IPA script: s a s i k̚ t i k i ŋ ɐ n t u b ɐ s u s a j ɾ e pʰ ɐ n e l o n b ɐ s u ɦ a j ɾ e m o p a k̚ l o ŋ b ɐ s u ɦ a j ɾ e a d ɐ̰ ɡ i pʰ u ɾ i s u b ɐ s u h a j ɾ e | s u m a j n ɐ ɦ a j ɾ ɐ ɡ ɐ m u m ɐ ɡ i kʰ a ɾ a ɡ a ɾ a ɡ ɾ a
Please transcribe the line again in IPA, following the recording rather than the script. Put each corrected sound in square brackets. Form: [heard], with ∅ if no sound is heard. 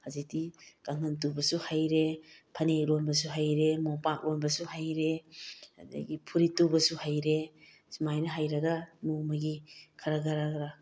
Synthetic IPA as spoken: [h] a [z] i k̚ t i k [a] ŋ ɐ n t u b ɐ s u [h] a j ɾ e pʰ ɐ n e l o n b ɐ s u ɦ a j ɾ e m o p a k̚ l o [n] b ɐ s u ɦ a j ɾ e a d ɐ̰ ɡ i pʰ u ɾ i [t] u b ɐ s u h a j ɾ e | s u m a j n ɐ ɦ a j ɾ ɐ ɡ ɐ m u m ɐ ɡ i kʰ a ɾ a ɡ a ɾ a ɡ ɾ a